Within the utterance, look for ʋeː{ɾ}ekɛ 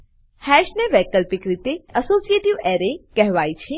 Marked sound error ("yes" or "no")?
no